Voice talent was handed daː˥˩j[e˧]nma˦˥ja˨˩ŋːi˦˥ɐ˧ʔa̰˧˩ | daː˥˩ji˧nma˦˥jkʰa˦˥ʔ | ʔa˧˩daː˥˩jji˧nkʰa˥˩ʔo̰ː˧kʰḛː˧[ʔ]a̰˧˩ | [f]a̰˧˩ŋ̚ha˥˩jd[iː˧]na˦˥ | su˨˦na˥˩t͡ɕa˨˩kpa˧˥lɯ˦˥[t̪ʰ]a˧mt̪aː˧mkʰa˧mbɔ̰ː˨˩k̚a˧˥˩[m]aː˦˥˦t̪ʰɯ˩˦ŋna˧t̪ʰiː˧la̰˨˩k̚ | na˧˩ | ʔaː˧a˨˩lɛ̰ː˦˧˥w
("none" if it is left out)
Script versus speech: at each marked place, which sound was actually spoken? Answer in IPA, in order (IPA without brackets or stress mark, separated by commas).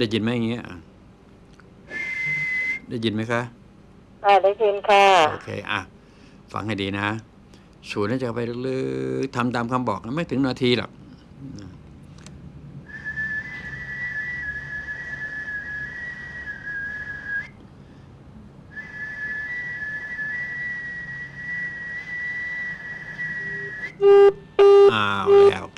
i˧, ʔ, f, iː˧, t̪ʰ, m